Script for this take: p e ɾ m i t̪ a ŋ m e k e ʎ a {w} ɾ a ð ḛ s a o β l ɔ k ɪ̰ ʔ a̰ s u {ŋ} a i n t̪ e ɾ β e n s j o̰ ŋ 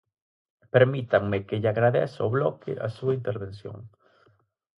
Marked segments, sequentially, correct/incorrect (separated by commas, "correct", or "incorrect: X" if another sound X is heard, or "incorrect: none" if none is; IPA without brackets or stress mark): incorrect: ɣ, incorrect: none